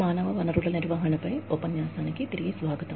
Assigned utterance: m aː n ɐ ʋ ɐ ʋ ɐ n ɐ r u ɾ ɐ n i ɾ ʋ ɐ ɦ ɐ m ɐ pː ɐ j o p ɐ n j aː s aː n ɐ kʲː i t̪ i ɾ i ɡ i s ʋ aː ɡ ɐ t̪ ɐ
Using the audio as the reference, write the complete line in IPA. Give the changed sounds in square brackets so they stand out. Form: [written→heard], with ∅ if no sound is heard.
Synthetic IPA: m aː n ɐ ʋ ɐ ʋ ɐ n ɐ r u [ɾ→ɭ] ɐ n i ɾ ʋ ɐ ɦ ɐ [m→ɳ] ɐ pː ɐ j o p ɐ n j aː s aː n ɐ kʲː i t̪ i ɾ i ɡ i s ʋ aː ɡ ɐ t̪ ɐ